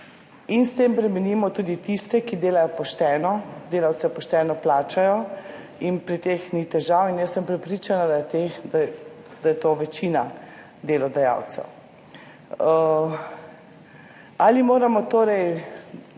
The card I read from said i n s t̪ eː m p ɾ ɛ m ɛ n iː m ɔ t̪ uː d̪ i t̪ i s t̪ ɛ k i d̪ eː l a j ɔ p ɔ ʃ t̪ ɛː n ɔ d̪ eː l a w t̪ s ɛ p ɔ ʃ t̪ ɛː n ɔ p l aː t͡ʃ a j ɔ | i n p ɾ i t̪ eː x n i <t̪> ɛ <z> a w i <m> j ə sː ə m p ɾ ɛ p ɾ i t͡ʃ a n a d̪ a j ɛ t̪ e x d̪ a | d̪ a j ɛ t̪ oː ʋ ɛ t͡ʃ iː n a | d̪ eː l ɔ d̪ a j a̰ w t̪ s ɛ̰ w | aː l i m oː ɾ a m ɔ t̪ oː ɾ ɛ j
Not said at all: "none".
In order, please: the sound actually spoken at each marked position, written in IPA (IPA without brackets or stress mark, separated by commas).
t̪, ʒ, n